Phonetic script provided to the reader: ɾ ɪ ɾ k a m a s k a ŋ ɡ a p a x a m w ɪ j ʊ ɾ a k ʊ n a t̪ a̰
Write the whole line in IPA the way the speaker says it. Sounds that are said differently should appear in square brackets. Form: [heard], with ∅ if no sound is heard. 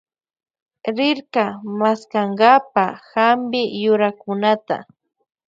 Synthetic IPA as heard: ɾ ɪ ɾ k a m a s k a ŋ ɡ a p a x a m [b] ɪ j ʊ ɾ a k ʊ n a t̪ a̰